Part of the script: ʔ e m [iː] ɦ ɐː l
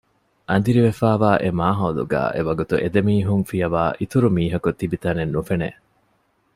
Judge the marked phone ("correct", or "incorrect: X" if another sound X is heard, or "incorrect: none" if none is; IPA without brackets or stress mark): incorrect: aː